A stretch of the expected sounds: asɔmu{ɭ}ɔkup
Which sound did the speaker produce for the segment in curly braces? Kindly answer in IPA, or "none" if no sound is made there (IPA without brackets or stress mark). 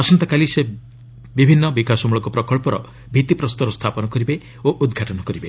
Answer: ɭ